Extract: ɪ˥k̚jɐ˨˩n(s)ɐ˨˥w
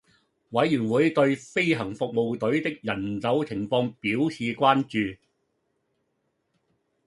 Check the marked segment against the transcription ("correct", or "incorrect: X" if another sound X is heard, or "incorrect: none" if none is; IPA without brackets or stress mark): incorrect: t͡s